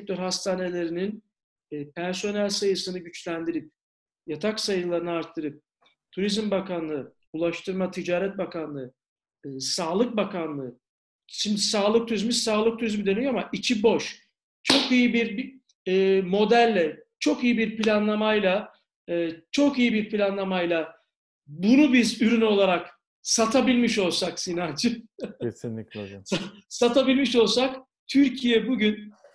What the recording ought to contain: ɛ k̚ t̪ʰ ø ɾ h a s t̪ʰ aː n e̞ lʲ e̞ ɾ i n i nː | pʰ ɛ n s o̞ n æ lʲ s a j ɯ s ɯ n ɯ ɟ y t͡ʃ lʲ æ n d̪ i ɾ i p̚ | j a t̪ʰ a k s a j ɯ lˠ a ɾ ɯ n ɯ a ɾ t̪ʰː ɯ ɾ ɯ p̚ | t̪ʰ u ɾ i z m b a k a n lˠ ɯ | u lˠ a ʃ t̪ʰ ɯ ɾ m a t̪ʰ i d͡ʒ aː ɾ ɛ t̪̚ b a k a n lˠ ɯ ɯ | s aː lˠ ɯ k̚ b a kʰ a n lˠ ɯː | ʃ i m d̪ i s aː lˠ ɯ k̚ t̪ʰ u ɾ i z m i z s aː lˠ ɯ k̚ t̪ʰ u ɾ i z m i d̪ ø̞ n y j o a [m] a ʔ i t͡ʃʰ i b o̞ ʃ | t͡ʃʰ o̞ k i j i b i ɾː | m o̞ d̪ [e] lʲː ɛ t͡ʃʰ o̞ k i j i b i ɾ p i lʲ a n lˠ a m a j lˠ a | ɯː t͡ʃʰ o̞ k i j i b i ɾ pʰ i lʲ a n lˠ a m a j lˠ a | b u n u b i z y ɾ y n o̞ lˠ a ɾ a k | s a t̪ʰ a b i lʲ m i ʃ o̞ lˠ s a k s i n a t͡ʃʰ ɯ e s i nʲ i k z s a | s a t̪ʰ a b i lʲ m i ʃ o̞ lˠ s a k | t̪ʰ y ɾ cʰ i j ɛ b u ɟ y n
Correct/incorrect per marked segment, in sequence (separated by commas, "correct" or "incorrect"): correct, incorrect